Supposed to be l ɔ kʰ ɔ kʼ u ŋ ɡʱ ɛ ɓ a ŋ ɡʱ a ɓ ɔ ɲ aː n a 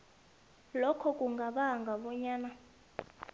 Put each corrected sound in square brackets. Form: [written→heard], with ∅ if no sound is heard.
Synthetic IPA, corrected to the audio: l ɔ kʰ ɔ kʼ u ŋ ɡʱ [ɛ→a] ɓ a ŋ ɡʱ a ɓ ɔ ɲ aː n a